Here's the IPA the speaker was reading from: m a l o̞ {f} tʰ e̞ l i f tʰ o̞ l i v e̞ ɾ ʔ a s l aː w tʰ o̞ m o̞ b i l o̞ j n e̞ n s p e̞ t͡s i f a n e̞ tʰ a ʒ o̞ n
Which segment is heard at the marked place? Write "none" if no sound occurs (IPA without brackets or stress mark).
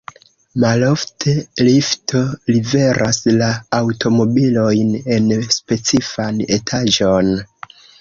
f